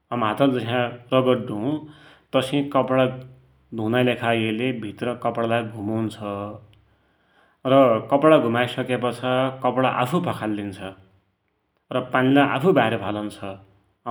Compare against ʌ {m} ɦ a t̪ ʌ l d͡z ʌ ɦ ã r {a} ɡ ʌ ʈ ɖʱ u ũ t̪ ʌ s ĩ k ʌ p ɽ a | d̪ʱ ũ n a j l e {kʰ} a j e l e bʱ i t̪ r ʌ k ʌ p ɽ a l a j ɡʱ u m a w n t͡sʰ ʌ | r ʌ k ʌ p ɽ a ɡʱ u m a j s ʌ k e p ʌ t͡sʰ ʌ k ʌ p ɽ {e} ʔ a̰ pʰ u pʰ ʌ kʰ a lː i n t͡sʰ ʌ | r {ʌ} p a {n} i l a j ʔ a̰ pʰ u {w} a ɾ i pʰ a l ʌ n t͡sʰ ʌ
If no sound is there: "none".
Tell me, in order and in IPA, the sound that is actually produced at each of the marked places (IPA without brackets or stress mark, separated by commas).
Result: m, ʌ, kʰ, a, ʌ, n, b